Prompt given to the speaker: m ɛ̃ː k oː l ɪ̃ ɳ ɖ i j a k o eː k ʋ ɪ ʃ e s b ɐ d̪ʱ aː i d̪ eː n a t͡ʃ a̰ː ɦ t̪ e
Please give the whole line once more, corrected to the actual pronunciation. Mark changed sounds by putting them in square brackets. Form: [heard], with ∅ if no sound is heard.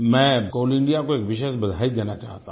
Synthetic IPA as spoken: m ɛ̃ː k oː l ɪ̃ ɳ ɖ i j a k o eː k ʋ ɪ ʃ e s b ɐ d̪ʱ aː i d̪ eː n a t͡ʃ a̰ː ɦ t̪ [a]